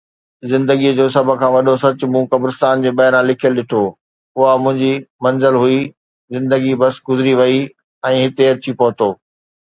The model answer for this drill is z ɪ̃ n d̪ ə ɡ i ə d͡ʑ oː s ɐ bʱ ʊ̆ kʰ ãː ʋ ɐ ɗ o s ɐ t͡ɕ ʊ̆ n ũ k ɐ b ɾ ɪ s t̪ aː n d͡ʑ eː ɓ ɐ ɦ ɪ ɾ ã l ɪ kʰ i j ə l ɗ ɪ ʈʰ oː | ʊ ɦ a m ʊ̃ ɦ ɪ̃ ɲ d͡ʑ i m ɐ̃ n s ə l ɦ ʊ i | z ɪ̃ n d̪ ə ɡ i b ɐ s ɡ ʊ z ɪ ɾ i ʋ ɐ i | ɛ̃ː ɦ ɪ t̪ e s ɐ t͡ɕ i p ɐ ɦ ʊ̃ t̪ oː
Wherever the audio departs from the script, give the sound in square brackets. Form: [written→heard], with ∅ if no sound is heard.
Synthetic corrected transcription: z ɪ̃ n d̪ ə ɡ i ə d͡ʑ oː s ɐ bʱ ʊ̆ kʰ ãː ʋ ɐ ɗ o s ɐ t͡ɕ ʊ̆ [n→m] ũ k ɐ b ɾ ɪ s t̪ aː n d͡ʑ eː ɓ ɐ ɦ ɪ ɾ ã l ɪ kʰ i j ə l ɗ ɪ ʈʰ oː | ʊ ɦ a m ʊ̃ ɦ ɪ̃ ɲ d͡ʑ i m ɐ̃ n [s→z] ə l ɦ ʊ i | z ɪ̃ n d̪ ə ɡ i b ɐ s ɡ ʊ z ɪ ɾ i ʋ ɐ i | ɛ̃ː ɦ ɪ t̪ e [s→∅] ɐ t͡ɕ i p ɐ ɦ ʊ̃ t̪ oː